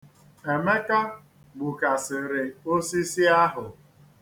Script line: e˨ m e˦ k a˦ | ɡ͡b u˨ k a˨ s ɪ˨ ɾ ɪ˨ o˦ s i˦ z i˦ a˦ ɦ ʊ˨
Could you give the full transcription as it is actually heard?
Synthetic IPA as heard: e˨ m e˦ k a˦ | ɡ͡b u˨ k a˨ s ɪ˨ ɾ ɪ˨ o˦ s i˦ s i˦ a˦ ɦ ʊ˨